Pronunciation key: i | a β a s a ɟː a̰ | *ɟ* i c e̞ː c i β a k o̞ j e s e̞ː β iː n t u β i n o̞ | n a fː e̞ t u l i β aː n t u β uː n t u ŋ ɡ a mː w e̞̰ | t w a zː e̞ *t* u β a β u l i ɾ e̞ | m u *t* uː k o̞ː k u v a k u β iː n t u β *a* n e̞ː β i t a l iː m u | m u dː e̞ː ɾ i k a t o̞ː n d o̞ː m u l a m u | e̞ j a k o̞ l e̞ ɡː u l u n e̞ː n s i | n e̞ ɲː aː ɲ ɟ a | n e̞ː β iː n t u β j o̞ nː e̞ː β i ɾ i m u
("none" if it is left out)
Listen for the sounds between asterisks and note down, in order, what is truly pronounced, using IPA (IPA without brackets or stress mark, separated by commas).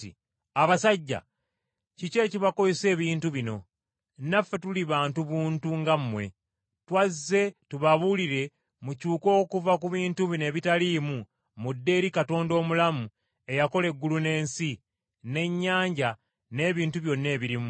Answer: c, t, c, i